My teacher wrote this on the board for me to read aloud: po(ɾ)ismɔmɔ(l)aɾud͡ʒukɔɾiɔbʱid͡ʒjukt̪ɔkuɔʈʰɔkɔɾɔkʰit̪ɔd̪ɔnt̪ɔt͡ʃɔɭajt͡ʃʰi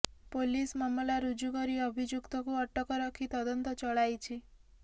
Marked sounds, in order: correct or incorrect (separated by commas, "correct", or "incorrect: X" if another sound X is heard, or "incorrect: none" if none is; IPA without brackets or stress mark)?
incorrect: l, correct